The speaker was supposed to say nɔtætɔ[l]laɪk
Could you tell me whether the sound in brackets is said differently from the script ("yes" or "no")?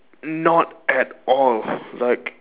no